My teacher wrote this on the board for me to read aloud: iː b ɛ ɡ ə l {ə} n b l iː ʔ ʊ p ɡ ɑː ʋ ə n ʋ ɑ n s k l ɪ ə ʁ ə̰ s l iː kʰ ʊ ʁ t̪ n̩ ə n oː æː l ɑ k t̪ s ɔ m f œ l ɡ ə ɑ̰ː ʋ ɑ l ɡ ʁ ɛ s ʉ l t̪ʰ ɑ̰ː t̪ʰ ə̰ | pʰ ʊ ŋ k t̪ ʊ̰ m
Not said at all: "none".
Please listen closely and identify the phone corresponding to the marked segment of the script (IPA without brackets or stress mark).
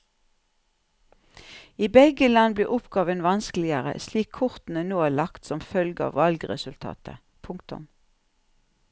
ɑ